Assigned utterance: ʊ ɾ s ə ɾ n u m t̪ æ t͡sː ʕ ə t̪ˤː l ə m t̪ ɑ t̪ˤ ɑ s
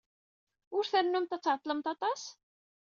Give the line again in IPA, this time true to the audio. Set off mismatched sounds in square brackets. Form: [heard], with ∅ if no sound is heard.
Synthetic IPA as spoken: ʊ ɾ [θ] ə ɾ n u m t̪ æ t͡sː ʕ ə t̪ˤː l ə m t̪ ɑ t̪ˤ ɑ s

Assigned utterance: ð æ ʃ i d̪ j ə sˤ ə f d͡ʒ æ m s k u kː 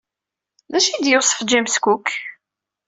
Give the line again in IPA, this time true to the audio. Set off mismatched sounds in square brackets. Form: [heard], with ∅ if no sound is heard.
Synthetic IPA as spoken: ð æ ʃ i d̪ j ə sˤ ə f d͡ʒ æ m s k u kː

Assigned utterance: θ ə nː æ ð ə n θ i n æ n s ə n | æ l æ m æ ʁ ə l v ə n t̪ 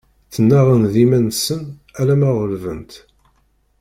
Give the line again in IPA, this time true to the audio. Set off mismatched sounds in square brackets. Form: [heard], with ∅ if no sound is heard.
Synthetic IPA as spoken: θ ə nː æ [ʁ] ə n [ð] i [m] æ n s ə n | æ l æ m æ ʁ ə l v ə n t̪

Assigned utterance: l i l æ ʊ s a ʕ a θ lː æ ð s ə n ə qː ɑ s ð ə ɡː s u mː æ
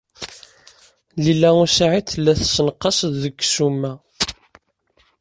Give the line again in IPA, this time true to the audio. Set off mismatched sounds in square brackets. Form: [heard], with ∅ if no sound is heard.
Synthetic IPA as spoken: l i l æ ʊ s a ʕ [i] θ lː æ [θ] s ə n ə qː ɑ s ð ə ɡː s u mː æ

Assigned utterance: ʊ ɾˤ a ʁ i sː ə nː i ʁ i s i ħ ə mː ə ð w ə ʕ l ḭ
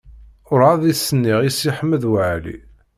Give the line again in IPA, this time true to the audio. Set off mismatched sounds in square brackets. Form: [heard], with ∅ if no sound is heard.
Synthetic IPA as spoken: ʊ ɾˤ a [ð] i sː ə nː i ʁ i s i ħ ə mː ə ð w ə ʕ l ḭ

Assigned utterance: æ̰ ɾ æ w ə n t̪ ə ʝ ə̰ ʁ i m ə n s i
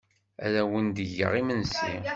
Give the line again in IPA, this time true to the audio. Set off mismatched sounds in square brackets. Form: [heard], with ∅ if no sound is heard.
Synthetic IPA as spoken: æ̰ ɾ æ w ə n [d̪] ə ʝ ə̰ ʁ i m ə n s i

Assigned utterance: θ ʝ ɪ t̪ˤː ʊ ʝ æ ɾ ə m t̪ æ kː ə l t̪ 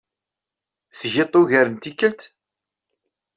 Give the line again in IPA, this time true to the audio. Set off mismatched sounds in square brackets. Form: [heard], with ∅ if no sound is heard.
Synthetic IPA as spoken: θ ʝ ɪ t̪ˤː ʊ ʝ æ ɾ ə [n] t̪ [i] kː ə l t̪

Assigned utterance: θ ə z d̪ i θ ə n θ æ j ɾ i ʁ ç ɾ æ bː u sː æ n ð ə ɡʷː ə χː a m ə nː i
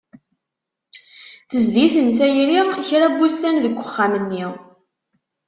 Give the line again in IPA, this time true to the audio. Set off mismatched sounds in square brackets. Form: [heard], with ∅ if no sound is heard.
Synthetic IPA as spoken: θ ə z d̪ i θ ə n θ æ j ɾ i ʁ ç ɾ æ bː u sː æ n ð ə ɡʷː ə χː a m ə nː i

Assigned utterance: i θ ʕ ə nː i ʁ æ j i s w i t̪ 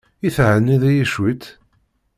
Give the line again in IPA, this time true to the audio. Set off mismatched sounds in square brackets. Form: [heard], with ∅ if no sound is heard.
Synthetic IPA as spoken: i θ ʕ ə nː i [ð] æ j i [ʃ] w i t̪

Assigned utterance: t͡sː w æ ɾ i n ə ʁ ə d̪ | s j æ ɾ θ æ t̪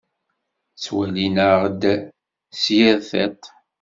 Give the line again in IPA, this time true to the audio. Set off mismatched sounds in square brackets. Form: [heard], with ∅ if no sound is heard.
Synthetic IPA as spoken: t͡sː w æ [l] i n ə ʁ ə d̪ | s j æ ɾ θ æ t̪

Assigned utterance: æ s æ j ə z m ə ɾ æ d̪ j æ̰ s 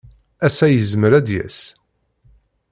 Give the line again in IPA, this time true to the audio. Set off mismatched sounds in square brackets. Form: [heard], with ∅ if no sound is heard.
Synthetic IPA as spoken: æ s æ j ə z m ə ɾ æ d̪ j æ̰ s

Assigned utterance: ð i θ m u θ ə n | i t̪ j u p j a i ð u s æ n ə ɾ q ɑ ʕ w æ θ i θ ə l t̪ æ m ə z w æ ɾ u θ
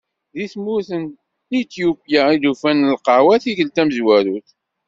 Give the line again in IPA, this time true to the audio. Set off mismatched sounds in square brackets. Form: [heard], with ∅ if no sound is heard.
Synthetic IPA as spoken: ð i θ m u θ ə n | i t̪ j u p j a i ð u [f] æ n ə [l] q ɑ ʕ w æ θ i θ ə l t̪ æ m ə z w æ ɾ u θ

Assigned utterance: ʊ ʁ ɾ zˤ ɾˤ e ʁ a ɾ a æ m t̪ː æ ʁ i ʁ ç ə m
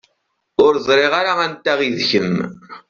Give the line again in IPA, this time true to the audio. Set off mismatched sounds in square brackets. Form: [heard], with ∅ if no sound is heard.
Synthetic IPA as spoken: ʊ [∅] ɾ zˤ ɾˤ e ʁ a ɾ a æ [n] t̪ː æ ʁ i [ð] ç ə m

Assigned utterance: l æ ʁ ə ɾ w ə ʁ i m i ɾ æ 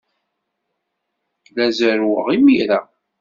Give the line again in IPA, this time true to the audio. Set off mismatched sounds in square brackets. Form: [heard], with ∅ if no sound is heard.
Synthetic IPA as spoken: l æ [z] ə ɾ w ə ʁ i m i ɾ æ

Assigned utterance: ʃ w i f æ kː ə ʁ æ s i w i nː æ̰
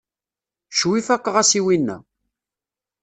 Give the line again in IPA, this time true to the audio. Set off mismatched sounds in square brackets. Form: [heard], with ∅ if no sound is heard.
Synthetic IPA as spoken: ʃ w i f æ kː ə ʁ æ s i w i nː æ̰

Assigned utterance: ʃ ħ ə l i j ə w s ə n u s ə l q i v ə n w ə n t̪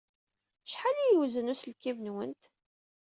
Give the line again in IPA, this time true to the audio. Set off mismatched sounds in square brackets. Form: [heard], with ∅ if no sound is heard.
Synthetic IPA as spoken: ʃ ħ [a] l i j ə w [z] ə n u s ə l [k] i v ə n w ə n t̪

